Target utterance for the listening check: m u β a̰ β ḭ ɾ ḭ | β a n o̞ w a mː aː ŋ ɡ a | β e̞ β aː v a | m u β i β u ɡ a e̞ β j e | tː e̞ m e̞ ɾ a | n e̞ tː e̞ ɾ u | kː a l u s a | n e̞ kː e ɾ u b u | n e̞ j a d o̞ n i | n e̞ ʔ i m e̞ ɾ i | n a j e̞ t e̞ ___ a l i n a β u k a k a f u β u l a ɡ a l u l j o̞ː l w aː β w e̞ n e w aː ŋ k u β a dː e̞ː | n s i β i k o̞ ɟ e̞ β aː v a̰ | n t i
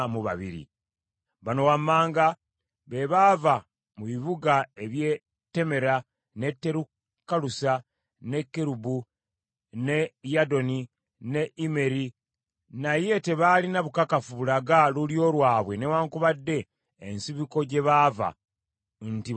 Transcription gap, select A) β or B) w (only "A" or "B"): A